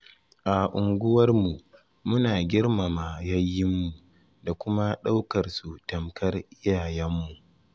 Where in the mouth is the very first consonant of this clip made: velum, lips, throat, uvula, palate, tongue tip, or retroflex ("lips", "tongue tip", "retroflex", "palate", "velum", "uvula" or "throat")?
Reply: throat